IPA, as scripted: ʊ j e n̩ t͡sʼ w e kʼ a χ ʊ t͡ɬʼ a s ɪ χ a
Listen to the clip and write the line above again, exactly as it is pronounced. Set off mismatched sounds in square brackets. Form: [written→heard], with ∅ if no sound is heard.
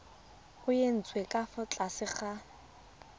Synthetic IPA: ʊ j e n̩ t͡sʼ w e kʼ a [χ→f] ʊ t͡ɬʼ a s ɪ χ a